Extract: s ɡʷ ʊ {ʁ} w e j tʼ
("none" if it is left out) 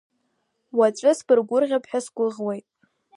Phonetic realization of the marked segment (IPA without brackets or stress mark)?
ʁ